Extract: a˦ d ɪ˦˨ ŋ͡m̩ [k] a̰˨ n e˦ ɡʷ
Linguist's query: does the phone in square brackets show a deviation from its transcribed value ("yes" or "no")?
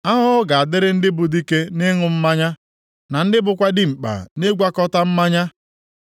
yes